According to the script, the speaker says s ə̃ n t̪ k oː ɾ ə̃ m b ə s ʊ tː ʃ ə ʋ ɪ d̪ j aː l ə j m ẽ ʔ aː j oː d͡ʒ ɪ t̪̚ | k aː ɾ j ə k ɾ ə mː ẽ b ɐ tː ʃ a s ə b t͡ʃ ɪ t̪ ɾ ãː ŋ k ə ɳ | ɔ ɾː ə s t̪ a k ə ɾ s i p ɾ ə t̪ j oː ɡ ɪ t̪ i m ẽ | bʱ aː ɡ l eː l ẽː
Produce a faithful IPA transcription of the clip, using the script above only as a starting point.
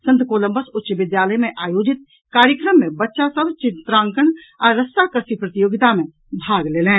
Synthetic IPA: s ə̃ n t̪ k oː l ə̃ m b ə s ʊ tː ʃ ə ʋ ɪ d̪ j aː l ə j m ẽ ʔ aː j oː d͡ʒ ɪ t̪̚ | k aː ɾ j ə k ɾ ə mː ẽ b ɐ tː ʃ a s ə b t͡ʃ ɪ t̪ ɾ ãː ŋ k ə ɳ | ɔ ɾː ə s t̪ a k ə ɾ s i p ɾ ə t̪ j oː ɡ ɪ t̪ a m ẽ | bʱ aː ɡ l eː l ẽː